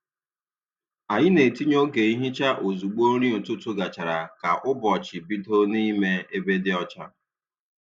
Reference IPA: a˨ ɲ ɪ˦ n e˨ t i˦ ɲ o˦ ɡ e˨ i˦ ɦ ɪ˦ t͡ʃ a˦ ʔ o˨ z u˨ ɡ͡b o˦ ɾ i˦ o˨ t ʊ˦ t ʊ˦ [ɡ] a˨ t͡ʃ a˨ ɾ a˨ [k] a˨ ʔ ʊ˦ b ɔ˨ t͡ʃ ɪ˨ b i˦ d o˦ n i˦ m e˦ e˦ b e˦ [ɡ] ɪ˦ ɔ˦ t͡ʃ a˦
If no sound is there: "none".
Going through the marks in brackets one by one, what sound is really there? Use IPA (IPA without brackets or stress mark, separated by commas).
ɡ, k, d